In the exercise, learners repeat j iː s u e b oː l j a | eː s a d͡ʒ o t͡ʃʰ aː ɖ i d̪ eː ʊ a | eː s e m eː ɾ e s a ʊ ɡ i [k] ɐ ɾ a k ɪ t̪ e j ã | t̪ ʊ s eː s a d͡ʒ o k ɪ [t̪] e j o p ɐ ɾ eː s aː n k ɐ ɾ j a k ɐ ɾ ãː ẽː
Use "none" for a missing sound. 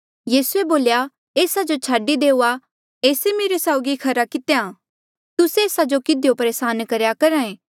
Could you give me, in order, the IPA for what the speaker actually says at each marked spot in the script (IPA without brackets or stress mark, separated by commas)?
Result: kʰ, d̪